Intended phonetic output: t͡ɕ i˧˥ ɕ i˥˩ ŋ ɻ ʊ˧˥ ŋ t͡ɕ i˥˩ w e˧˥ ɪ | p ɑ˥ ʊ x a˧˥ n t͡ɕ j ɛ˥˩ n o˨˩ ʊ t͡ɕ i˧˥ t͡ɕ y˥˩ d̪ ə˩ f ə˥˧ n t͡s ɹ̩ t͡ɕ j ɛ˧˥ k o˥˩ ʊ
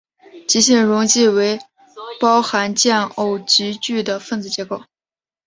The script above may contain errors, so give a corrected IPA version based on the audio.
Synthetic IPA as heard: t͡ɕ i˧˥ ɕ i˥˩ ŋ ɻ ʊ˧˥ ŋ t͡ɕ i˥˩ w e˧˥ ɪ | p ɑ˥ ʊ x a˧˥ n t͡ɕ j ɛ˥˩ n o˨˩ ʊ t͡ɕ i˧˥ t͡ɕ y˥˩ d̪ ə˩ f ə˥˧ n t͡s ɹ̩ t͡ɕ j ɛ˧˥ k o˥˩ ʊ